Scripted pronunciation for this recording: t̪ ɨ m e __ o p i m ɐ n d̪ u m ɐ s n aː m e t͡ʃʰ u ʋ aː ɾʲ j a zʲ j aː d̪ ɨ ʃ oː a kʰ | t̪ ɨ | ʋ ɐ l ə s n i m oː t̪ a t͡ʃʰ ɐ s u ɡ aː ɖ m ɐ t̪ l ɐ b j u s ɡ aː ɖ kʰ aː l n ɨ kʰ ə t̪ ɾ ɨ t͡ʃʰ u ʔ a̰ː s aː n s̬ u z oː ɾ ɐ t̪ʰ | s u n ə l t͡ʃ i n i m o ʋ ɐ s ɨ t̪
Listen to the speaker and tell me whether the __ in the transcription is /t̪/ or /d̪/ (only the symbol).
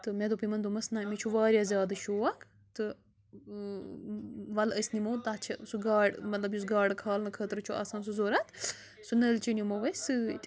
d̪